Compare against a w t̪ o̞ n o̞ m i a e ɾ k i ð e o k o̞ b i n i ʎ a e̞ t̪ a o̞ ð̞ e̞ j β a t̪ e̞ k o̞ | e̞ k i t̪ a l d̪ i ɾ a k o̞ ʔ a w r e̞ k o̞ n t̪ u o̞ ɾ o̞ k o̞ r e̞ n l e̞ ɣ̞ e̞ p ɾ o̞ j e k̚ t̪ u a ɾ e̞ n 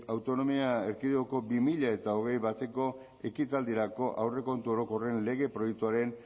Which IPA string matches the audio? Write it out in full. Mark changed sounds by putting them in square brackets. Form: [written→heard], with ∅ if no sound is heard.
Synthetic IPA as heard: a w t̪ o̞ n o̞ m i a e ɾ k i ð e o k o̞ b i [n→m] i ʎ a e̞ t̪ a o̞ [ð̞→ɣ̞] e̞ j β a t̪ e̞ k o̞ | e̞ k i t̪ a l d̪ i ɾ a k o̞ ʔ a w r e̞ k o̞ n t̪ u o̞ ɾ o̞ k o̞ r e̞ n l e̞ ɣ̞ e̞ p ɾ o̞ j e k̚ t̪ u a ɾ e̞ n